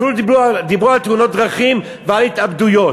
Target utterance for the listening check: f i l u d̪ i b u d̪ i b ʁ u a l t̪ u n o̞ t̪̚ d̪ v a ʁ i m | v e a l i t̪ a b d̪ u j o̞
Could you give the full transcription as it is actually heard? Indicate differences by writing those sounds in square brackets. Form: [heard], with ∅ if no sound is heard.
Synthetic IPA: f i l u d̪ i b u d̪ i b ʁ u a l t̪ u n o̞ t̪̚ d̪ [ʁ] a [χ] i m | v e a l i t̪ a b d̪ u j o̞